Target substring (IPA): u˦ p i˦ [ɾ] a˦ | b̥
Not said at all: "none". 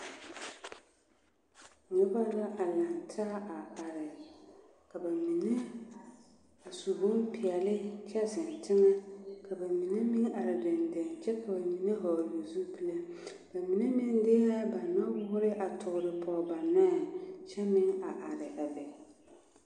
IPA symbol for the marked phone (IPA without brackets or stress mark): l